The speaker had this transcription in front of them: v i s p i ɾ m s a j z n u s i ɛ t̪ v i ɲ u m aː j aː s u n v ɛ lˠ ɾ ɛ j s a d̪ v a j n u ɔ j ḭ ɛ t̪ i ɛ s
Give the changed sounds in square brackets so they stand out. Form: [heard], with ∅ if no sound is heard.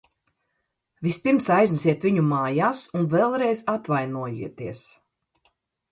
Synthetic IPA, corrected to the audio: v i s p i ɾ m s a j z n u s i ɛ t̪ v i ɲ u m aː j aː s u n v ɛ lˠ ɾ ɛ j [z] a [t̪] v a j n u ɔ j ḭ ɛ t̪ i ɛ s